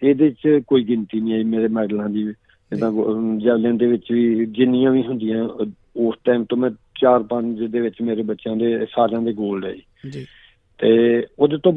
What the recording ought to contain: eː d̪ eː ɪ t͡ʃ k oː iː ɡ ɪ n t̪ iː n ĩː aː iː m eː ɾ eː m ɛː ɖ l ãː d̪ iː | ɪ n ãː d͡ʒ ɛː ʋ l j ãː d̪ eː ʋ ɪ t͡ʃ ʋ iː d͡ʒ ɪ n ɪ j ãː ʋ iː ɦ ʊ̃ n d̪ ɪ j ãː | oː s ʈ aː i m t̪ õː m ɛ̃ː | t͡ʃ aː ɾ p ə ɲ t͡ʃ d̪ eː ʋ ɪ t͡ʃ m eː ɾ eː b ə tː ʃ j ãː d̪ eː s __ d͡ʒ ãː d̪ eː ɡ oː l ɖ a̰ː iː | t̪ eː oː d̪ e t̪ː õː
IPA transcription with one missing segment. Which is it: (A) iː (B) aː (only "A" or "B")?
B